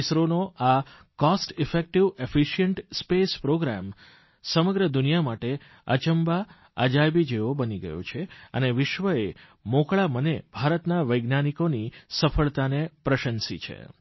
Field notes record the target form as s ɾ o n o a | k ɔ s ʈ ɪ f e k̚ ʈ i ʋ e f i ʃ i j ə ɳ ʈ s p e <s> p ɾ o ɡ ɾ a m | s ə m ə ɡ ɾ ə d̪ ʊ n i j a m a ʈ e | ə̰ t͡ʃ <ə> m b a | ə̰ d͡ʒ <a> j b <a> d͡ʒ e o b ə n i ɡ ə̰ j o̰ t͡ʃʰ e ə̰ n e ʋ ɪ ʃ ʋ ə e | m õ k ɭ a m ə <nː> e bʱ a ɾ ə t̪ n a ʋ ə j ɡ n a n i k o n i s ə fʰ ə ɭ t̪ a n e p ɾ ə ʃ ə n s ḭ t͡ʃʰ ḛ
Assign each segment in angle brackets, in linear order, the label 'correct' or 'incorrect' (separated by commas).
correct, correct, correct, incorrect, incorrect